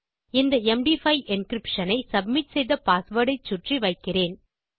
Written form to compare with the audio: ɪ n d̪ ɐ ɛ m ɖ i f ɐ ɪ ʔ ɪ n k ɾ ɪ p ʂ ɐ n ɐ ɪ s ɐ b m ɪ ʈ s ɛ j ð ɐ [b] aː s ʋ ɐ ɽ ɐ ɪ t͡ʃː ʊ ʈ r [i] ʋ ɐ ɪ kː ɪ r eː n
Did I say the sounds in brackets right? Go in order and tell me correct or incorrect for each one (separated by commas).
incorrect, correct